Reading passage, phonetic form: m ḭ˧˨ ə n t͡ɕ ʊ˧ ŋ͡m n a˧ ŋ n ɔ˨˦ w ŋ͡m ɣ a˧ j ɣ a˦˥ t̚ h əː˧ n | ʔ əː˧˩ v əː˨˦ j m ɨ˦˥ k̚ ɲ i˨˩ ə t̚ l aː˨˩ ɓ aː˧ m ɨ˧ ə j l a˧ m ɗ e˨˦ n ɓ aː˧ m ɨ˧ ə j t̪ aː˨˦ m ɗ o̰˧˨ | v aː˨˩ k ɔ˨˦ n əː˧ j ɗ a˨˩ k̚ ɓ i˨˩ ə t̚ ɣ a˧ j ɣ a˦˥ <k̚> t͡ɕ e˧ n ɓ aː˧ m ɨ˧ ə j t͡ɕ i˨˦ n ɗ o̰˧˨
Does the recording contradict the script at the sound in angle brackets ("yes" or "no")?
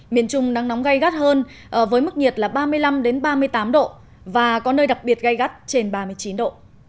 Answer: yes